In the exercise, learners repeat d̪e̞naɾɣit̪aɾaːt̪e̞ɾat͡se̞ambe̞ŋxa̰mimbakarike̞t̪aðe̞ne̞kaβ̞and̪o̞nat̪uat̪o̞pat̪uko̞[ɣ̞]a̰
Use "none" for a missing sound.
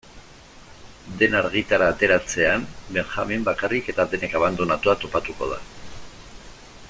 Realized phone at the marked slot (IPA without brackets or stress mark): ð̞